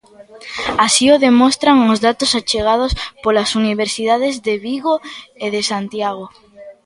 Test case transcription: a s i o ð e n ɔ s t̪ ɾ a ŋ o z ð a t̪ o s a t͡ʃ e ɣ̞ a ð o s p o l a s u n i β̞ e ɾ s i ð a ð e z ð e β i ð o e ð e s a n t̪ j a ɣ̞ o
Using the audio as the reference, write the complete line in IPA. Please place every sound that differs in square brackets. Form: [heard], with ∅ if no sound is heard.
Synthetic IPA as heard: a s i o ð e [m] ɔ s t̪ ɾ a ŋ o z ð a t̪ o s a t͡ʃ e ɣ̞ a ð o s p o l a s u n i β̞ e ɾ s i ð a ð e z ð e β i [ɣ] o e ð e s a n t̪ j a ɣ̞ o